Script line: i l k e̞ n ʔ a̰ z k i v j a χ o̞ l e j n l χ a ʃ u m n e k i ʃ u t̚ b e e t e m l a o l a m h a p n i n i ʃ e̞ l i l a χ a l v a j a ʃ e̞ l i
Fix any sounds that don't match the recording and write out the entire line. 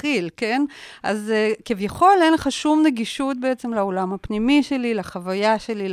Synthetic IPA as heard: i l k e̞ n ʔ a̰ z k i v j a χ o̞ l e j n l χ a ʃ u m n e ɡ i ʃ u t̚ b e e t͡s e m l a o l a m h a p n i m i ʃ e̞ l i l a χ a v a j a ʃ e̞ l i